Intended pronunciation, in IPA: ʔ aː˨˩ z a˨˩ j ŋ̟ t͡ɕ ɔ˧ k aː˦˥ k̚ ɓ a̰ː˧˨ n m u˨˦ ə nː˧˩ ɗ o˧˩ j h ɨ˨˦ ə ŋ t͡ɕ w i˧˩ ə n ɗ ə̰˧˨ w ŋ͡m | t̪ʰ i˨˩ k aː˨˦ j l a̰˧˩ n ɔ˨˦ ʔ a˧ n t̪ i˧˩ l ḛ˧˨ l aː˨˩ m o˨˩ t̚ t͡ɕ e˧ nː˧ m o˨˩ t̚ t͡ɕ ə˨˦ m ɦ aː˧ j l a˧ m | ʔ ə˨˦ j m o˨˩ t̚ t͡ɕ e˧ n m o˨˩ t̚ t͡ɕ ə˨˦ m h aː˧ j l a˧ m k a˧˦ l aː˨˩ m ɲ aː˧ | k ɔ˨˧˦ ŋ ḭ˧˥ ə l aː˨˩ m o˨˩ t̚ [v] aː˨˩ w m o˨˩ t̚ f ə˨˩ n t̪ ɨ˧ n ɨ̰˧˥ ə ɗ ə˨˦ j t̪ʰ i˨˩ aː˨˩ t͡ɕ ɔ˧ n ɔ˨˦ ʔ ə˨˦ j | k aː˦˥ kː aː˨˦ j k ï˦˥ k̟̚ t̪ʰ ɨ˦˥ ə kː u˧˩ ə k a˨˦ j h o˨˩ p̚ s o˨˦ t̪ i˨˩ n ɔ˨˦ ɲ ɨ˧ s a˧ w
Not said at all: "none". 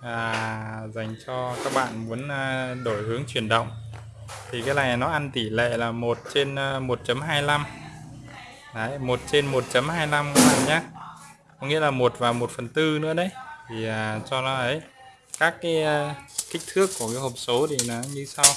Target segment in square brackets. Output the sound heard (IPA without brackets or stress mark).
v